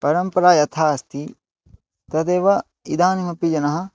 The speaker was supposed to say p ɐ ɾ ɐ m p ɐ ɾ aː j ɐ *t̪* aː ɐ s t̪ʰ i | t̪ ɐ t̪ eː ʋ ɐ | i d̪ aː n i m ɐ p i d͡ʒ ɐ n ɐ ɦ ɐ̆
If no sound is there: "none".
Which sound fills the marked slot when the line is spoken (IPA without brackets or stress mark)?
t̪ʰ